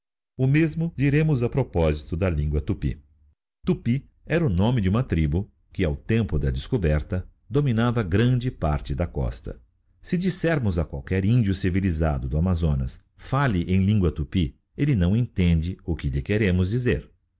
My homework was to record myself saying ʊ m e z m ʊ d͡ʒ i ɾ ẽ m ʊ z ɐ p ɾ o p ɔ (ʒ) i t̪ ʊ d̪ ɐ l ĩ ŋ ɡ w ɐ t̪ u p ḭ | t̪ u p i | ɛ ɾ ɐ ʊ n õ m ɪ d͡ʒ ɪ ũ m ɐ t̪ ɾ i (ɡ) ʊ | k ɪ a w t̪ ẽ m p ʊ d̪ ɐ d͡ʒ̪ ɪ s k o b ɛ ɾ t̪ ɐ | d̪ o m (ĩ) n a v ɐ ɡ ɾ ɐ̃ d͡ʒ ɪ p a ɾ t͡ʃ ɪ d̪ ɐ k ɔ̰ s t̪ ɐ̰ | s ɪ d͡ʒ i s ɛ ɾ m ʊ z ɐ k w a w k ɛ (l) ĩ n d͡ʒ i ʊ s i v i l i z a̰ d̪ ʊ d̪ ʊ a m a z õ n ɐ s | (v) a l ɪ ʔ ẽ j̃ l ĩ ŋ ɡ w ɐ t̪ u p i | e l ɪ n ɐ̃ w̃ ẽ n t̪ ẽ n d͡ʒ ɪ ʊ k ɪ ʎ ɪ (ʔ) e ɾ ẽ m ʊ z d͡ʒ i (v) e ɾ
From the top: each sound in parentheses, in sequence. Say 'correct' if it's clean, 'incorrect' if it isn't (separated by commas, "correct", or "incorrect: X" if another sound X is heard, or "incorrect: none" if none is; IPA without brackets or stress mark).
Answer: incorrect: z, incorrect: b, incorrect: i, incorrect: ɾ, incorrect: f, incorrect: k, incorrect: z